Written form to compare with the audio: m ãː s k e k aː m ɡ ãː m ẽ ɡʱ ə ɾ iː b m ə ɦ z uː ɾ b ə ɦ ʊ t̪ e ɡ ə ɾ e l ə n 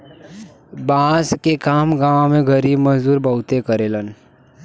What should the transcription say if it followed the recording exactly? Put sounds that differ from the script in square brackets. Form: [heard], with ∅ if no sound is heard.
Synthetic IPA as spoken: [b] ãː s k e k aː m ɡ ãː m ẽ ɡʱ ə ɾ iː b m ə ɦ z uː ɾ b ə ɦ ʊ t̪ e [k] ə ɾ e l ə n